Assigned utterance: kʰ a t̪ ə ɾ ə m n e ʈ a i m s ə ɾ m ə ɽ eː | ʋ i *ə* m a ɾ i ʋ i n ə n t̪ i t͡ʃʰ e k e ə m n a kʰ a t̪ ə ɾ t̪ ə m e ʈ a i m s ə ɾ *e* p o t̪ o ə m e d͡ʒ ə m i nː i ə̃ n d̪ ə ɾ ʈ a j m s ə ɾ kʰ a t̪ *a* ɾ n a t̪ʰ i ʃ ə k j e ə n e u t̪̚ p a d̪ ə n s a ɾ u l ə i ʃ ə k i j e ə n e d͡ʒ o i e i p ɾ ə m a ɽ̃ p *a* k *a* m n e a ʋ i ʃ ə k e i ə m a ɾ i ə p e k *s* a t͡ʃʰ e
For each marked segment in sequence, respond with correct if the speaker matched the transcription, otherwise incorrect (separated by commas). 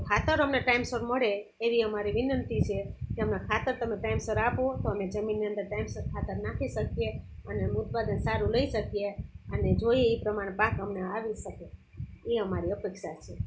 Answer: correct, incorrect, incorrect, correct, incorrect, incorrect